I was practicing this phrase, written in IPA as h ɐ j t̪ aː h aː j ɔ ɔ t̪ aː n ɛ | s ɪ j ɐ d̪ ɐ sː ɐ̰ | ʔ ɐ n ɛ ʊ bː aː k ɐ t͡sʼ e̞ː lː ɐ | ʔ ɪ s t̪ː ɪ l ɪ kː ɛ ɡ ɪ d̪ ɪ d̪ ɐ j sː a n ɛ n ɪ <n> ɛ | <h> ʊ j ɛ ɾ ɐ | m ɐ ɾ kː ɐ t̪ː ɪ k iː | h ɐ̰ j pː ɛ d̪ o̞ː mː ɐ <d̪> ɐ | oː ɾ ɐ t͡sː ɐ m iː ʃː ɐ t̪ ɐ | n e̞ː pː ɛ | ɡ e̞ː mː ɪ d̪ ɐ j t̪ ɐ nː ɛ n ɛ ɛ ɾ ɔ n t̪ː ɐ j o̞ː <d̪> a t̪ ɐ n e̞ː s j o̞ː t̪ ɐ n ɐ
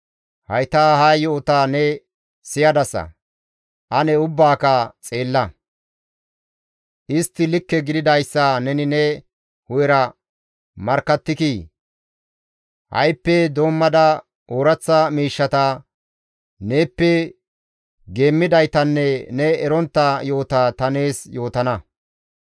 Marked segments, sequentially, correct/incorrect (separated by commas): correct, correct, correct, incorrect